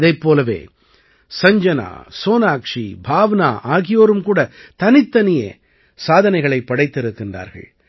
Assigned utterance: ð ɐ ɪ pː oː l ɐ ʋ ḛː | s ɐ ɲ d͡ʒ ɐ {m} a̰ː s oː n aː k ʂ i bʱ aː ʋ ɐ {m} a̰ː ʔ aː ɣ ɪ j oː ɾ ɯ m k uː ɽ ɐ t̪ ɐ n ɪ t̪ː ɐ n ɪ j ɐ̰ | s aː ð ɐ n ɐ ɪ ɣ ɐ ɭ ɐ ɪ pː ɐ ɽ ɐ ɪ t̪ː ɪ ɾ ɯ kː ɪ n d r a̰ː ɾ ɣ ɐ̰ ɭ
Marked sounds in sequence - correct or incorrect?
incorrect, incorrect

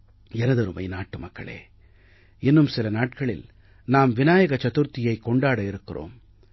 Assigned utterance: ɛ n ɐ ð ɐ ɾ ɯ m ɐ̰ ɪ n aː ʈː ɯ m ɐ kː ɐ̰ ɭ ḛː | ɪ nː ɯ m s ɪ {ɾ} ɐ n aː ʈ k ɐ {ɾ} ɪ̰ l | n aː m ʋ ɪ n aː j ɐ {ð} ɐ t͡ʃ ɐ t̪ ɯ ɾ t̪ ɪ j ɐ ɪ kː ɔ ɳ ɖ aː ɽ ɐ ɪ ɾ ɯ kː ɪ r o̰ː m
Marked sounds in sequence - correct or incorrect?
incorrect, incorrect, incorrect

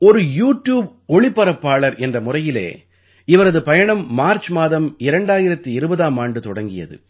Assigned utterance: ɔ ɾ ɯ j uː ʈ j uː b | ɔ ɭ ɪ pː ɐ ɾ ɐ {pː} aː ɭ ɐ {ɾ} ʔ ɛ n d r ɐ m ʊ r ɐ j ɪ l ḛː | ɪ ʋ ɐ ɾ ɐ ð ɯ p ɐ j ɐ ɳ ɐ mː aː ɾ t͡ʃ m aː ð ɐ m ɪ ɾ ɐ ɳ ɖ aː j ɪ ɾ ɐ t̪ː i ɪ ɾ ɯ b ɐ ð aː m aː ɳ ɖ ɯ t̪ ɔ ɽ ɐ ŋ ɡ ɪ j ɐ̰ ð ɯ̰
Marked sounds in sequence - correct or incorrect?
correct, correct

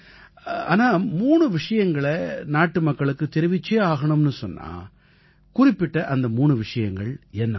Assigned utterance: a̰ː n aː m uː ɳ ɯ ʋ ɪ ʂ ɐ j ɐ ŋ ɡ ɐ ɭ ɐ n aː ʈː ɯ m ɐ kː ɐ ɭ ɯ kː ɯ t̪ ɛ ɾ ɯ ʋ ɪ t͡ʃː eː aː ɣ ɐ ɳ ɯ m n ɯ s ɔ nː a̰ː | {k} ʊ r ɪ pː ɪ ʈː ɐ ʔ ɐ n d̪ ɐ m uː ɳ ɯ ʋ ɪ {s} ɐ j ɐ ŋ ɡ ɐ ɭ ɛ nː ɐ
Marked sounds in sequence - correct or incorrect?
correct, incorrect

